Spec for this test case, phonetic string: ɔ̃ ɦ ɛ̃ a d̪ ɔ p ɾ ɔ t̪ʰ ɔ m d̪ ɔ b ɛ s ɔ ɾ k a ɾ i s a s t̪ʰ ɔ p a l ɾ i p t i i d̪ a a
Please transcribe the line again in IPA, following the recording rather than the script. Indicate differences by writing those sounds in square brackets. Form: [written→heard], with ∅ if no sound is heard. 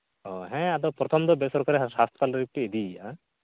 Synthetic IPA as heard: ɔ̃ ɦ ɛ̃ a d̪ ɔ p ɾ ɔ t̪ʰ ɔ m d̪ ɔ b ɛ s ɔ ɾ k a ɾ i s a s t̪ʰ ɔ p a l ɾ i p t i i d̪ [a→i] a